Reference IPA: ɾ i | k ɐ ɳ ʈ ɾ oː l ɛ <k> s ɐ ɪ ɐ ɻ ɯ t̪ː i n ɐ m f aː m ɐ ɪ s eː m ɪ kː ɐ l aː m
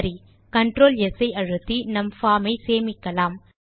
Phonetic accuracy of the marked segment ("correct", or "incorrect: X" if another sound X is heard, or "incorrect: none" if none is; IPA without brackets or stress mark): incorrect: none